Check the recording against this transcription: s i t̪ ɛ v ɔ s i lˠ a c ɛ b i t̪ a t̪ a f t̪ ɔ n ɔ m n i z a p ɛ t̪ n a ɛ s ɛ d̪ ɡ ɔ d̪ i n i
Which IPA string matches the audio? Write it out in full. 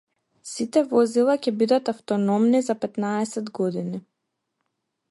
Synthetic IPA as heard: s i t̪ ɛ v ɔ z i lˠ a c ɛ b i d̪ a t̪ a f t̪ ɔ n ɔ m n i z a p ɛ t̪ n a ɛ s ɛ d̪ ɡ ɔ d̪ i n i

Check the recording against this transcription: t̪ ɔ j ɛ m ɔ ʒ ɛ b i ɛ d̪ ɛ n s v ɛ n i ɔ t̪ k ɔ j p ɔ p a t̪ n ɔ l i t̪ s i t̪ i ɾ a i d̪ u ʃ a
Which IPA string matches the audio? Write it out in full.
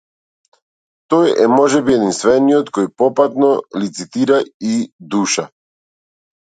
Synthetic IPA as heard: t̪ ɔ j ɛ m ɔ ʒ ɛ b i ɛ d̪ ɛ n s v ɛ n i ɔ t̪ k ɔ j p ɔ p a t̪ n ɔ l i t̪ s i t̪ i ɾ a i d̪ u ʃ a

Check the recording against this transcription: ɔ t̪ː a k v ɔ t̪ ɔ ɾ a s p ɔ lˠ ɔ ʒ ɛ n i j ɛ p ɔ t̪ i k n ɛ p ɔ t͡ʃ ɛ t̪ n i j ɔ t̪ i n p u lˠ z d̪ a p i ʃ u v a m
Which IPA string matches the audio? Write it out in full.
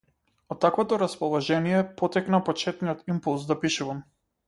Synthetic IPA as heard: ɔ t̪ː a k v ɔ t̪ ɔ ɾ a s p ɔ lˠ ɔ ʒ ɛ n i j ɛ p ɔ t̪ ɛ k n a p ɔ t͡ʃ ɛ t̪ n i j ɔ t̪ i m p u lˠ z d̪ a p i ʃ u v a m

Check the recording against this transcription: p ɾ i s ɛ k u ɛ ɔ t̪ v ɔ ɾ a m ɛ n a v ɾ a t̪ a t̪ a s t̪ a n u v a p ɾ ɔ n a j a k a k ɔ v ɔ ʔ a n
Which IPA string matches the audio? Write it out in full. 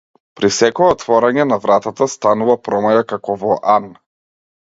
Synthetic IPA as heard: p ɾ i s ɛ k ɔ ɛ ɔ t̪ v ɔ ɾ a ɲ ɛ n a v ɾ a t̪ a t̪ a s t̪ a n u v a p ɾ ɔ m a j a k a k ɔ v ɔ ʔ a n

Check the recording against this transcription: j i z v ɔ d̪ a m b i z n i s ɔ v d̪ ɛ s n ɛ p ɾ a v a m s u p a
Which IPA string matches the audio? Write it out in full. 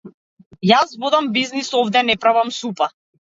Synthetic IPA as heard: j a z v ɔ d̪ a m b i z n i s ɔ v d̪ ɛ n ɛ p ɾ a v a m s u p a

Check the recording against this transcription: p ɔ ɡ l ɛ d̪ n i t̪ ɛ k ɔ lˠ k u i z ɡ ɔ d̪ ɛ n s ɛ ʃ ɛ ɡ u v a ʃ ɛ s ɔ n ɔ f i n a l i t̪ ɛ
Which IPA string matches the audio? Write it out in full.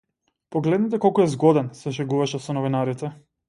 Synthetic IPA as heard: p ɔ ɡ l ɛ d̪ n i t̪ ɛ k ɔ lˠ k u ɛ z ɡ ɔ d̪ ɛ n s ɛ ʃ ɛ ɡ u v a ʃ ɛ s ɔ n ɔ v i n a ɾ i t̪ ɛ

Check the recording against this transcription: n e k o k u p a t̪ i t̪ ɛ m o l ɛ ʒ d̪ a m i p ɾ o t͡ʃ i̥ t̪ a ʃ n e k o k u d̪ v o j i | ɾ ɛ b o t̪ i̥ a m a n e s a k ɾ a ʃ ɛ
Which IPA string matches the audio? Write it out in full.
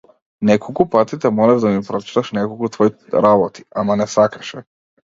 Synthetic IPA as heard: n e k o k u p a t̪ i t̪ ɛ m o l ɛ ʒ d̪ a m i p ɾ o t͡ʃ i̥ t̪ a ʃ n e k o k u t̪ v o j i | ɾ a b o t̪ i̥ a m a n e s a k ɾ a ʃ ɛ

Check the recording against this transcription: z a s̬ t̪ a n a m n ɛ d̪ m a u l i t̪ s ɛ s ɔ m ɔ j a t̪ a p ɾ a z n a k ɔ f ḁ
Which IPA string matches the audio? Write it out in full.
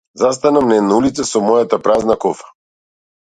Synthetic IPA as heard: z a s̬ t̪ a n a m n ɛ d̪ n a u l i t̪ s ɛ s ɔ m ɔ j a t̪ a p ɾ a z n a k ɔ f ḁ

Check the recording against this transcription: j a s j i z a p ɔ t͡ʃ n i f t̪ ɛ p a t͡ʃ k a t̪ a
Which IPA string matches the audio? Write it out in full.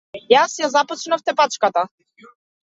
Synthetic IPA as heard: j a s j a z a p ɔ t͡ʃ n a f t̪ ɛ p a t͡ʃ k a t̪ a

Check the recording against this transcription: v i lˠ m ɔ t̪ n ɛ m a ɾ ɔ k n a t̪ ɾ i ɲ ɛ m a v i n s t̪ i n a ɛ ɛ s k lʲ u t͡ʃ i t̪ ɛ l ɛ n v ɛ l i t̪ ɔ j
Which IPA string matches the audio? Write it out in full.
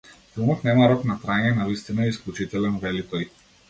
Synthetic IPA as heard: f i lˠ m ɔ t̪ n ɛ m a ɾ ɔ k n a t̪ ɾ a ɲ ɛ n a v i s t̪ i n a ɛ i s k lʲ u t͡ʃ i t̪ ɛ l ɛ n v ɛ l i t̪ ɔ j

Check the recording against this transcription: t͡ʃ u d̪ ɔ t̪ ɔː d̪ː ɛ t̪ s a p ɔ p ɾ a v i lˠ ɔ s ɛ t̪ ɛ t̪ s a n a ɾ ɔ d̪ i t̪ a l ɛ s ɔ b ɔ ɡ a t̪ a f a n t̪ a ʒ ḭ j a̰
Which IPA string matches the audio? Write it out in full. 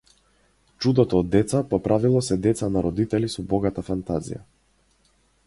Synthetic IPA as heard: t͡ʃ u d̪ ɔ t̪ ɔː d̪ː ɛ t̪ s a p ɔ p ɾ a v i lˠ ɔ s ɛ d̪ ɛ t̪ s a n a ɾ ɔ d̪ i t̪ ɛ l i s ɔ b ɔ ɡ a t̪ a f a n t̪ a z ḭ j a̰

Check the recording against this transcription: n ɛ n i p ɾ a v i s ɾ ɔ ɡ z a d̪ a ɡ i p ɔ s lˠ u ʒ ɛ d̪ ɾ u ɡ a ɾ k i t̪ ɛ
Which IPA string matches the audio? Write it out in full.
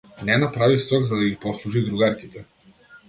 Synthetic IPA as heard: n ɛ n a p ɾ a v i s ɾ ɔ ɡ z a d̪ a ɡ i p ɔ s lˠ u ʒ i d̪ ɾ u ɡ a ɾ k i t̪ ɛ

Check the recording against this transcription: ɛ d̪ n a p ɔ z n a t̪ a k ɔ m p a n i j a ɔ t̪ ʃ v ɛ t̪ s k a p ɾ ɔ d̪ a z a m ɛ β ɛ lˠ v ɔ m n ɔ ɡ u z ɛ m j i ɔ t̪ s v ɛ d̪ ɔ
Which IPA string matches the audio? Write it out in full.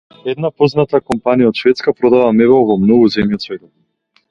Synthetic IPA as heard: ɛ d̪ n a p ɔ z n a t̪ a k ɔ m p a n i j a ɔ t̪ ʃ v ɛ t̪ s k a p ɾ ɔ d̪ a v a m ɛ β ɛ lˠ v ɔ m n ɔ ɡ u z ɛ m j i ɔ t̪ s v ɛ t̪ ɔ

